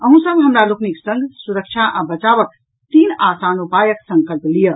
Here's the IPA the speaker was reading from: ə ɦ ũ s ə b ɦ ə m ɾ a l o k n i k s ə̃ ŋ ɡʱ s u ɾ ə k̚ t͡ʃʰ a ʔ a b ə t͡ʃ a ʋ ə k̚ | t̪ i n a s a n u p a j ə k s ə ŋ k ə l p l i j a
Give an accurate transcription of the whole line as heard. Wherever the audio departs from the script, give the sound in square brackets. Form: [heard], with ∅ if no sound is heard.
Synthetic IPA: ə ɦ ũ s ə b ɦ ə m ɾ a l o k n i k s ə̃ ŋ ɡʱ s u ɾ ə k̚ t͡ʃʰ a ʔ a b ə t͡ʃ a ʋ ə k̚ | t̪ i n a s a n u p a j ə k s ə ŋ k ə l p l i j [ə]